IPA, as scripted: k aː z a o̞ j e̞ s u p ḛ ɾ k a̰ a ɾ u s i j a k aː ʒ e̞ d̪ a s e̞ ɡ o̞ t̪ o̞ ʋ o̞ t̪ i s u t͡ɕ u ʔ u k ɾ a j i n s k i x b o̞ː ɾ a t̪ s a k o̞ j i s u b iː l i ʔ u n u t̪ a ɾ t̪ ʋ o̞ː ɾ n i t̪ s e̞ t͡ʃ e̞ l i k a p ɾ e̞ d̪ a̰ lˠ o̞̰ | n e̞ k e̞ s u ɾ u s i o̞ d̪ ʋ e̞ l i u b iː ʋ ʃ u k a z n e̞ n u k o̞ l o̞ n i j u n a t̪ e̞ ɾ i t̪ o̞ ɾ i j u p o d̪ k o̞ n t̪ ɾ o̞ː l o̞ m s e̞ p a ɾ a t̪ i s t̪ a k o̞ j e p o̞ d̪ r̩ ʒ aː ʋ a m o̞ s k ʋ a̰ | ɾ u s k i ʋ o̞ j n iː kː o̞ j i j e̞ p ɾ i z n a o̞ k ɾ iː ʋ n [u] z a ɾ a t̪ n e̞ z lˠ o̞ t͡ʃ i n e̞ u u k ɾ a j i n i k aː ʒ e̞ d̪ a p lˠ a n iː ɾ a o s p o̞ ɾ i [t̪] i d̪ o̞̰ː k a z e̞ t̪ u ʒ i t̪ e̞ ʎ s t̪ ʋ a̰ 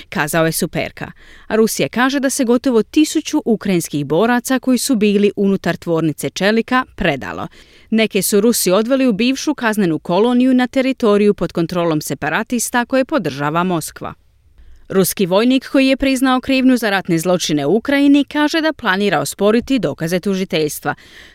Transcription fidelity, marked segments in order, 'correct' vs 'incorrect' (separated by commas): correct, correct